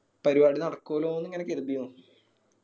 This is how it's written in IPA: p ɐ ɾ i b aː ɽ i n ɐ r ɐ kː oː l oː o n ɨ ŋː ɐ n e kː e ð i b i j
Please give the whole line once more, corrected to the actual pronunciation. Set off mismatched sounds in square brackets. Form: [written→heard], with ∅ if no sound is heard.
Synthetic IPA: p ɐ ɾ i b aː ɽ i n ɐ [r→ɽ] ɐ kː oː l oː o [n→nː] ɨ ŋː ɐ n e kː e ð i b i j

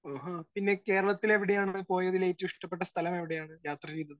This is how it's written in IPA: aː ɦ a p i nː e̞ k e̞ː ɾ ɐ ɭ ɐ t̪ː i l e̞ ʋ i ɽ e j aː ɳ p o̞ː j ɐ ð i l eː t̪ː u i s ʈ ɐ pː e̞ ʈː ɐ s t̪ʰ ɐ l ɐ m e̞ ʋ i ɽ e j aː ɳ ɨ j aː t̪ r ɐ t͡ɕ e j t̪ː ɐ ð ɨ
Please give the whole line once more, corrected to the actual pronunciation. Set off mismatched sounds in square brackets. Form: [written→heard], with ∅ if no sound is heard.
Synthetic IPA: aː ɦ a p i nː e̞ k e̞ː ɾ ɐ ɭ ɐ t̪ː i l e̞ ʋ i ɽ e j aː ɳ p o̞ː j ɐ ð i l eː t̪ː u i [s→ʂ] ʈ ɐ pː e̞ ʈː ɐ s t̪ʰ ɐ l ɐ m e̞ ʋ i ɽ e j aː ɳ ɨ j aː t̪ r ɐ t͡ɕ e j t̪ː ɐ ð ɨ

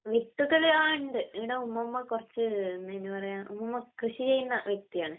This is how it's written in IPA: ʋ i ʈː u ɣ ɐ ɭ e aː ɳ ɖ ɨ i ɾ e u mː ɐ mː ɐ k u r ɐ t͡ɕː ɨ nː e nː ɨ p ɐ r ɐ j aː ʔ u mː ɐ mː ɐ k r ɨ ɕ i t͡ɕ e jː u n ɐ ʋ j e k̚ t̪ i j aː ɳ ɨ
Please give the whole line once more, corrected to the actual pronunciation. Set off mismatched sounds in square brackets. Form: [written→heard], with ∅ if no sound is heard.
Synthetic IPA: ʋ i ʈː u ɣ ɐ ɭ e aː ɳ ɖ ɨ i [ɾ→ɽ] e u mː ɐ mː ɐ k u r ɐ t͡ɕː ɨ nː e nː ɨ p ɐ r ɐ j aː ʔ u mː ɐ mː ɐ k r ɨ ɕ i t͡ɕ e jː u [n→nː] ɐ ʋ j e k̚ t̪ i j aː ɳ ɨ

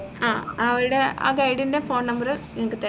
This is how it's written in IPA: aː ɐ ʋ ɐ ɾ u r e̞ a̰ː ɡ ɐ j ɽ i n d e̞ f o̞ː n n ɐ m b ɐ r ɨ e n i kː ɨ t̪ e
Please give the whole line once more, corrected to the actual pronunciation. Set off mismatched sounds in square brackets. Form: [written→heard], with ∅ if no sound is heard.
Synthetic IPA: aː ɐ ʋ ɐ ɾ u [r→ɽ] e̞ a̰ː ɡ ɐ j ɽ i n d e̞ f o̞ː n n ɐ m b ɐ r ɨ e [n→ŋ] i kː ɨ t̪ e

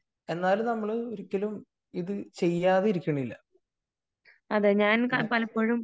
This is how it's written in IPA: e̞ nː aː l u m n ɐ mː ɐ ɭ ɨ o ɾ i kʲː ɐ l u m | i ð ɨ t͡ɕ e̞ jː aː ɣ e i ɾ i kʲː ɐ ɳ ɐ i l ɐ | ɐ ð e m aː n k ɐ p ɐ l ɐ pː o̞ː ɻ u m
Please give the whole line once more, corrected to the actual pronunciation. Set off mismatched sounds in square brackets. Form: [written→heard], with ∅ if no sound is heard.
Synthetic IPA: e̞ nː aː l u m n ɐ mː ɐ ɭ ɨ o ɾ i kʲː ɐ l u m | i ð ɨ t͡ɕ e̞ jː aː [ɣ→ð] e i ɾ i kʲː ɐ ɳ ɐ i [l→lː] ɐ | ɐ ð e [m→ɲ] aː n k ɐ p ɐ l ɐ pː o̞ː ɻ u m

